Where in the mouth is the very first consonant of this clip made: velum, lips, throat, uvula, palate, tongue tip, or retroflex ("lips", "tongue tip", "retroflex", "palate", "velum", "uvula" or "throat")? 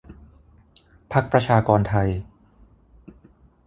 lips